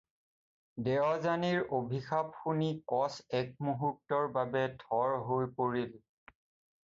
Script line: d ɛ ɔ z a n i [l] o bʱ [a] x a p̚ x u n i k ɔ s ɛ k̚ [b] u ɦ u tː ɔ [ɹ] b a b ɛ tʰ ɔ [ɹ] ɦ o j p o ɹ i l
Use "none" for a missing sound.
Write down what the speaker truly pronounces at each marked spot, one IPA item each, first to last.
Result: ɹ, i, m, ɹ, ɹ

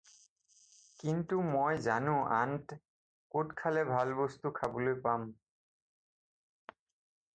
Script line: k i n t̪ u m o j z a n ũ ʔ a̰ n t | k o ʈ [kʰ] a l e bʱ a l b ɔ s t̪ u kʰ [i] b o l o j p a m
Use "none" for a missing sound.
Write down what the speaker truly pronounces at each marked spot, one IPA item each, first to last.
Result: kʰ, a

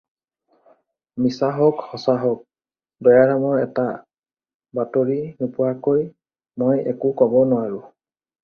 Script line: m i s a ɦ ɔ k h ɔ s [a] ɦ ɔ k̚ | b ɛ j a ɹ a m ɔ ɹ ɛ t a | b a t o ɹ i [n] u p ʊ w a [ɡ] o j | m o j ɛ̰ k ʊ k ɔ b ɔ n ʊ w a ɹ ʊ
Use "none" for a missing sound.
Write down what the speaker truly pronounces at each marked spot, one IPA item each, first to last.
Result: a, n, k

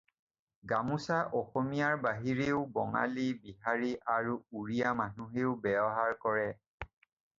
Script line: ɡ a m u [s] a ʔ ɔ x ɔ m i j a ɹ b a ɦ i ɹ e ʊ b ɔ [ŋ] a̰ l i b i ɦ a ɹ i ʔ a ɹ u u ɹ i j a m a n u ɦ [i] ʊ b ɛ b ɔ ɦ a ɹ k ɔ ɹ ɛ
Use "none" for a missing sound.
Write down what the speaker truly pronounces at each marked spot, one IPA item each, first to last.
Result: s, ŋ, e

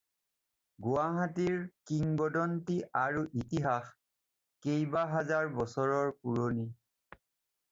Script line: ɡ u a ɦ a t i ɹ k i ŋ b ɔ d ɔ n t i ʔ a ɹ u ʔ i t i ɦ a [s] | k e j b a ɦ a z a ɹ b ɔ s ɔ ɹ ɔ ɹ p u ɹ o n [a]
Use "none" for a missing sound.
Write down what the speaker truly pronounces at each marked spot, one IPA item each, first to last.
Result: x, i

